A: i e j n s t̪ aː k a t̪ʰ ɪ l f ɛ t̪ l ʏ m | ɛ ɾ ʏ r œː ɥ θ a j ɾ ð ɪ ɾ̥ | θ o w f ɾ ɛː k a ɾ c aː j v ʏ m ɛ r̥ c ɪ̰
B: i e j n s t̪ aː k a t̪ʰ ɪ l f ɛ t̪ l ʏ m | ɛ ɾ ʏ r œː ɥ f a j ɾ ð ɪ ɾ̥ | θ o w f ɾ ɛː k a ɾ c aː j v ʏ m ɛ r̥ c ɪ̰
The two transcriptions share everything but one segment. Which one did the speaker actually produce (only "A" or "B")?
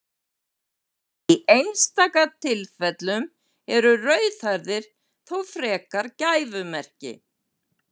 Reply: A